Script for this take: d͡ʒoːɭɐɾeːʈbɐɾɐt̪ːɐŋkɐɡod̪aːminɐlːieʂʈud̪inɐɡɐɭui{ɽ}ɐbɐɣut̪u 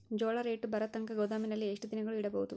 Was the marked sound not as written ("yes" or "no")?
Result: no